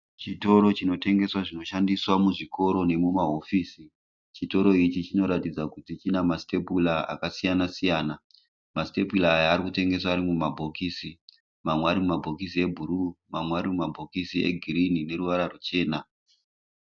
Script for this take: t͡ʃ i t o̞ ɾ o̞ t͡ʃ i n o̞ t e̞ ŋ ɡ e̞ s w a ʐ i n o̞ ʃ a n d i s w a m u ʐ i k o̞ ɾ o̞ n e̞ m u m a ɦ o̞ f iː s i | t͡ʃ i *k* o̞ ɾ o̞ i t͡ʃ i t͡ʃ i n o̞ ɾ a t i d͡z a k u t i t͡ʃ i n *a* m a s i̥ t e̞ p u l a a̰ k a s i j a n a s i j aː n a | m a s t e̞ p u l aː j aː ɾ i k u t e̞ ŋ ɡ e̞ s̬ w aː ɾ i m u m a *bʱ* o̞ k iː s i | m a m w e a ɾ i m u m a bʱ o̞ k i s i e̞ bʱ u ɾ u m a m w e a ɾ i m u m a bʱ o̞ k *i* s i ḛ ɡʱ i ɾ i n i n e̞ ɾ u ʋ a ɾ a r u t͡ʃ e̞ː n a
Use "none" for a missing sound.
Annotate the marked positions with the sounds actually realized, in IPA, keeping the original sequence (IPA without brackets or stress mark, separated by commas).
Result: t, a, bʱ, i